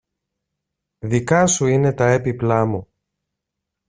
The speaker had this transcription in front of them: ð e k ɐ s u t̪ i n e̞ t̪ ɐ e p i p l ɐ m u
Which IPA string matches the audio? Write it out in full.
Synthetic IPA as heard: ð i k ɐ s u i n e̞ t̪ ɐ e p i p l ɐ m u